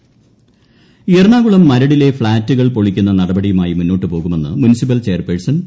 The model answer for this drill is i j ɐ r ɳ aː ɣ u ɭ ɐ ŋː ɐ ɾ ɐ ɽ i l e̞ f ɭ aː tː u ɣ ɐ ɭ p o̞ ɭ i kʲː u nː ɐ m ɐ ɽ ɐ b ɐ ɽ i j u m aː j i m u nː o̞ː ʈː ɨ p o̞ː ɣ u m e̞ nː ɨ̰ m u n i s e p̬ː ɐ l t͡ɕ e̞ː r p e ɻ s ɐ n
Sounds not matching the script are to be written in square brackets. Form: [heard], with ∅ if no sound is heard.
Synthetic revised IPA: i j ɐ r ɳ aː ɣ u ɭ ɐ [mː] ɐ ɾ ɐ ɽ i l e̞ f ɭ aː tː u ɣ ɐ ɭ p o̞ ɭ i kʲː u nː ɐ [n] ɐ ɽ ɐ b ɐ ɽ i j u m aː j i m u nː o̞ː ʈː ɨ p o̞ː ɣ u m e̞ nː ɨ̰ m u n i s [i] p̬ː ɐ l t͡ɕ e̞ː r p e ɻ s ɐ n